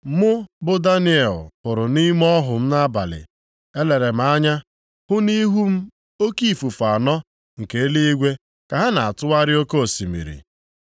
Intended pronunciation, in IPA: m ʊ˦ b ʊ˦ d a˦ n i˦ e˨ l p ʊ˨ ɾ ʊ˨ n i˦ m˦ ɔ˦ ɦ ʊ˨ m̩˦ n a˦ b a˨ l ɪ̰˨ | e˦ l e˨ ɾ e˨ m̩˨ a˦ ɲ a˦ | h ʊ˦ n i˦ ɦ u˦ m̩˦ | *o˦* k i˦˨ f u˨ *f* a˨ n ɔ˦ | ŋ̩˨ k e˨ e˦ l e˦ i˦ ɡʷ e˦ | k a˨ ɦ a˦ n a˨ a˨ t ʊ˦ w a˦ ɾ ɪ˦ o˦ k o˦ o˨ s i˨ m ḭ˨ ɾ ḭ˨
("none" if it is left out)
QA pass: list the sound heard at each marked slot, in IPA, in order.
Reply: o˦, f

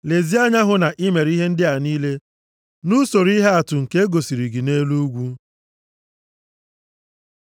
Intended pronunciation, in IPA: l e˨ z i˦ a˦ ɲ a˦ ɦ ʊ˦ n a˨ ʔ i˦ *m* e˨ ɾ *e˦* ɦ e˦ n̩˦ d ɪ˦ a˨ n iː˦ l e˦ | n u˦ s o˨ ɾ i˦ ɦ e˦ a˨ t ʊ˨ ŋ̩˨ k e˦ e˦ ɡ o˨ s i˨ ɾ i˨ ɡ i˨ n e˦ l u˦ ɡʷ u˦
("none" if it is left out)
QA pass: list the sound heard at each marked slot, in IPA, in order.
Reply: m, i˦

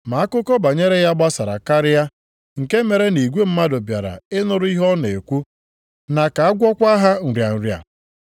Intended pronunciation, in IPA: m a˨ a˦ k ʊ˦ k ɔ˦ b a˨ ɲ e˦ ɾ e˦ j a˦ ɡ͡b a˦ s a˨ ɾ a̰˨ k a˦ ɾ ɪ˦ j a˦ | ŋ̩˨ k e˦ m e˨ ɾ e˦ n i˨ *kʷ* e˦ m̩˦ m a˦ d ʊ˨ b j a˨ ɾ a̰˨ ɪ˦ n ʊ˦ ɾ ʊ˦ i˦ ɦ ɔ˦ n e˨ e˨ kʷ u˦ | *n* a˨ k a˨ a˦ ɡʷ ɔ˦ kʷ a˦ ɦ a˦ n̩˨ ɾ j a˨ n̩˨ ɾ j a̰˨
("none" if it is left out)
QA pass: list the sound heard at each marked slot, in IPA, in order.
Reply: ɡʷ, n

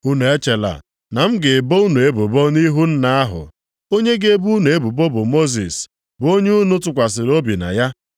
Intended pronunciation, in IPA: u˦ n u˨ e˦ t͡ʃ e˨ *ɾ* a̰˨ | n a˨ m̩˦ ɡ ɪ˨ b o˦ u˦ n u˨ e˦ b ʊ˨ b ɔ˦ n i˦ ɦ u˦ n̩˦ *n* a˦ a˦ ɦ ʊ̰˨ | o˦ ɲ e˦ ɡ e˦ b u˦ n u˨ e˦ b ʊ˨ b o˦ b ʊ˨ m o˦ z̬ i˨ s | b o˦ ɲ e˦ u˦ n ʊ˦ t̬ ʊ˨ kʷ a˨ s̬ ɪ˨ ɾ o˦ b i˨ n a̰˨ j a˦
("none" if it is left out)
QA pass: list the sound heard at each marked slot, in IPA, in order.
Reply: l, n

